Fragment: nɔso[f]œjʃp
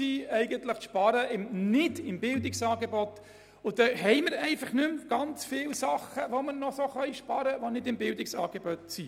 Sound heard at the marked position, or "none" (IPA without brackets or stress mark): χ